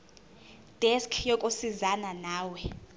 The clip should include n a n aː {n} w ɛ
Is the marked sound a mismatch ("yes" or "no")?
yes